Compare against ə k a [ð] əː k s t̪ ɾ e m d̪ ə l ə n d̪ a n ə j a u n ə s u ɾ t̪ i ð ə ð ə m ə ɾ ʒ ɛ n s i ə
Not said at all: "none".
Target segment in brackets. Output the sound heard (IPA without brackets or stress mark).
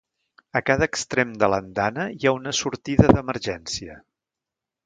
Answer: ð